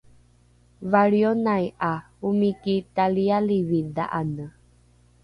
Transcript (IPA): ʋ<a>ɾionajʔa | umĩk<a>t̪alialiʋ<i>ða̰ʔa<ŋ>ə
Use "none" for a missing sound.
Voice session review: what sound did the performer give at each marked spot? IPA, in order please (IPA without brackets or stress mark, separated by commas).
a, i, i, n